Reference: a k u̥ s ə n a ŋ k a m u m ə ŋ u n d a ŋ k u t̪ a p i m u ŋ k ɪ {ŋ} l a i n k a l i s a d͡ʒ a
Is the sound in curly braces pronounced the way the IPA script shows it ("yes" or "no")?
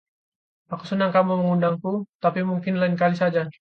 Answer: no